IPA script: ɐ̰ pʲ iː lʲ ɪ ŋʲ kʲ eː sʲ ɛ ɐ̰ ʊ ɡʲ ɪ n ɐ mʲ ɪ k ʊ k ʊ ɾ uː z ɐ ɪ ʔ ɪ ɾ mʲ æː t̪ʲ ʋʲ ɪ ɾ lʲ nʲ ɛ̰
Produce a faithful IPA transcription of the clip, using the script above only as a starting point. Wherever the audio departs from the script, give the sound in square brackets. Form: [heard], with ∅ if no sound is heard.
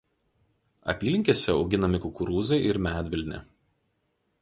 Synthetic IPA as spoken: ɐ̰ pʲ iː lʲ ɪ ŋʲ kʲ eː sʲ ɛ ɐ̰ ʊ ɡʲ ɪ n ɐ mʲ ɪ k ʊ k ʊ ɾ uː z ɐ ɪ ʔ ɪ ɾ mʲ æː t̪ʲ ʋʲ ɪ [∅] lʲ nʲ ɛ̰